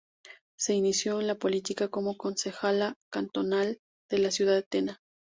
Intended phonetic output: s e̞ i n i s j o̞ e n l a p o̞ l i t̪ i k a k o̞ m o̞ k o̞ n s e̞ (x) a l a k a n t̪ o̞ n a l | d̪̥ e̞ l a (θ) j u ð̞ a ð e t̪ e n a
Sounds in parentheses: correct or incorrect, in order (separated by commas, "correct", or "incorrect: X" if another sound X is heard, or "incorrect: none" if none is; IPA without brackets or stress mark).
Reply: correct, incorrect: s